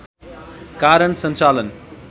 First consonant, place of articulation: velar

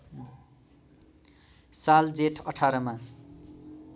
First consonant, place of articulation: alveolar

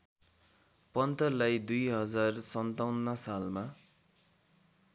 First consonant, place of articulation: labial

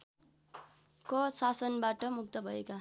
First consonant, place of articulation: velar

